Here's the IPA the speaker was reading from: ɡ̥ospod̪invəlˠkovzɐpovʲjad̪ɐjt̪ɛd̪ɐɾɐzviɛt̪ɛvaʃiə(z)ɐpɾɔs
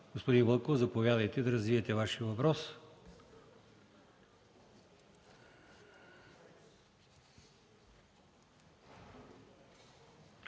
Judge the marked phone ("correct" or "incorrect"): incorrect